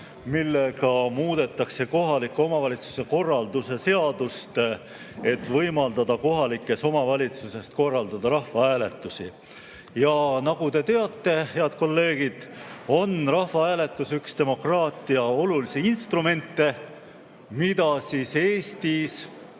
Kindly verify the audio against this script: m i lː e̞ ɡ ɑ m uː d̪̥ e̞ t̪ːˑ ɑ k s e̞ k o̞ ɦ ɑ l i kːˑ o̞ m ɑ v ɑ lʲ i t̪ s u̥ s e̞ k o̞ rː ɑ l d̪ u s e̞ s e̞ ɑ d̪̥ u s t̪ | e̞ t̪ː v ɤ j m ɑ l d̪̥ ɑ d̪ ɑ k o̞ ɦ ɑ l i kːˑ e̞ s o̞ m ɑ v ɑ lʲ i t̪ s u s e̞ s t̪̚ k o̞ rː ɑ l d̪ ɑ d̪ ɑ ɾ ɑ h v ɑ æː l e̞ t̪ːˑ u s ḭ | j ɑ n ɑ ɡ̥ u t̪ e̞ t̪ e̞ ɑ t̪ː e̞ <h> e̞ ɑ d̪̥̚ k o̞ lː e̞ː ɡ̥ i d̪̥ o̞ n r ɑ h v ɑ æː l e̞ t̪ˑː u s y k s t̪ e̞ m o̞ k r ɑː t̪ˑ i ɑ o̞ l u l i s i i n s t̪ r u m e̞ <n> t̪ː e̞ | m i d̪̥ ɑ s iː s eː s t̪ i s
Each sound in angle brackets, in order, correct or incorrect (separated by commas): correct, correct